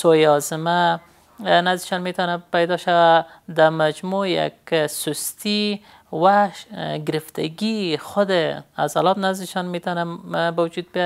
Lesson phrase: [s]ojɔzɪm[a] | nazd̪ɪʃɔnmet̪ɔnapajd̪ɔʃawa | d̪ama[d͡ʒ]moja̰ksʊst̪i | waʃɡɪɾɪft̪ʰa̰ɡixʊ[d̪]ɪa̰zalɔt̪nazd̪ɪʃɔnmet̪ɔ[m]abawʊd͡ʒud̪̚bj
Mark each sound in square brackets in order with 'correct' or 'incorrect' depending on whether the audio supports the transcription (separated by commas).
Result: correct, correct, correct, correct, incorrect